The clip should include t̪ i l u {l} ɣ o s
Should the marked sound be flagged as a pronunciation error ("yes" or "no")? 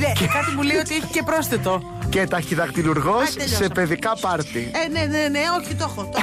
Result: yes